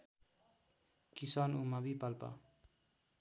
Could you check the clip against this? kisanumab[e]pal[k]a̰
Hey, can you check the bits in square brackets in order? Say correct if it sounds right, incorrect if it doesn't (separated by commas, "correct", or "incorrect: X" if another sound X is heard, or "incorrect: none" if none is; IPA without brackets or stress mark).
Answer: incorrect: i, incorrect: p